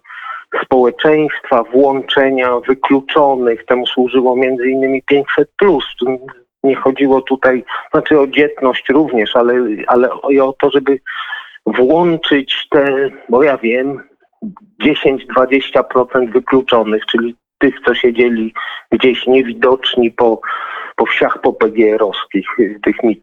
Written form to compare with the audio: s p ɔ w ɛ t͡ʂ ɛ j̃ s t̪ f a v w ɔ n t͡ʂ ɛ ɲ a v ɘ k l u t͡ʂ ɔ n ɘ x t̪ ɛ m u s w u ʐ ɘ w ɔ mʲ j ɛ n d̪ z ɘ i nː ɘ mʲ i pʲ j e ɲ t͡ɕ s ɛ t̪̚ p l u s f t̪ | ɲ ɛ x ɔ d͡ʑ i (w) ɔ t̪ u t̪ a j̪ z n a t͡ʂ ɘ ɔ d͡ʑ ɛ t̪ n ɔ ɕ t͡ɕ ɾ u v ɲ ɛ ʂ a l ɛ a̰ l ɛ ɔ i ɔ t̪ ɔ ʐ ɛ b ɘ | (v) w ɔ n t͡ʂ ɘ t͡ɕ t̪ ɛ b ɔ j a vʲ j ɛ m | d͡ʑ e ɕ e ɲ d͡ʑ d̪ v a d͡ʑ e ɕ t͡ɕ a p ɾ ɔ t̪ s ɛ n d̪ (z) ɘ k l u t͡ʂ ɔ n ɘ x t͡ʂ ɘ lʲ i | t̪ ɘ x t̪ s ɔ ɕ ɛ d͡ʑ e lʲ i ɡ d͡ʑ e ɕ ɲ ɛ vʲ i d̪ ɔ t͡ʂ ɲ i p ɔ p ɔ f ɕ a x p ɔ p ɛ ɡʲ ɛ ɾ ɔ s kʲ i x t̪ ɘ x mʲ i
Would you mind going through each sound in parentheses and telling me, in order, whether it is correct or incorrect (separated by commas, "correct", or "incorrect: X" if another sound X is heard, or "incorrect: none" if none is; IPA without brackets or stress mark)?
correct, correct, incorrect: v